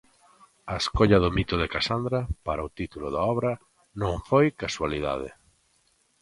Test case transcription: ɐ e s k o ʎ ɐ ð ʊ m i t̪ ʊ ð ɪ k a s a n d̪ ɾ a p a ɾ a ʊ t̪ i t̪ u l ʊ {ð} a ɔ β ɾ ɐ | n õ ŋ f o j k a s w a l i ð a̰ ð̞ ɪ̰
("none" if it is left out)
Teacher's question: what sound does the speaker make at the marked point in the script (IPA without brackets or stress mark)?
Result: ð